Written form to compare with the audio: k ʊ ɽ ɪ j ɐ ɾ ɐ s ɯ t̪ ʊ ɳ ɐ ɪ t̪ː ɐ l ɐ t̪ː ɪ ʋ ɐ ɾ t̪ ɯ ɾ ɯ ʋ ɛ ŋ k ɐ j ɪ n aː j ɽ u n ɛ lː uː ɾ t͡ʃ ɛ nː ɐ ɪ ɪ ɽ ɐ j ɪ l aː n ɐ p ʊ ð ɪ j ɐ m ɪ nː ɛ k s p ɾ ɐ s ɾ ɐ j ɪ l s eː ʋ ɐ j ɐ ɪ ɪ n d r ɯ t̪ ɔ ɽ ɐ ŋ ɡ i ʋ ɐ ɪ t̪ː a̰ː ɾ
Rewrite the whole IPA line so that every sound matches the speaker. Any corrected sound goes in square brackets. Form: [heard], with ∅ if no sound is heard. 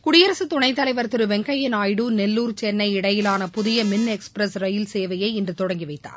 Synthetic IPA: k ʊ ɽ ɪ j ɐ ɾ ɐ s ɯ t̪ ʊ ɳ ɐ ɪ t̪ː ɐ l ɐ [∅] ɪ ʋ ɐ ɾ t̪ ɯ ɾ ɯ ʋ ɛ ŋ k ɐ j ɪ n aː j ɽ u n ɛ lː uː ɾ t͡ʃ ɛ nː ɐ ɪ ɪ ɽ ɐ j ɪ l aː n ɐ p ʊ ð ɪ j ɐ m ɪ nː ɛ k s p ɾ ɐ s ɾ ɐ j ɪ l s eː ʋ ɐ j ɐ ɪ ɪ n d r ɯ t̪ ɔ ɽ ɐ ŋ ɡ i ʋ ɐ ɪ t̪ː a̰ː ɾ